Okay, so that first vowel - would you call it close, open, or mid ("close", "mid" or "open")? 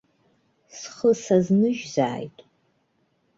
mid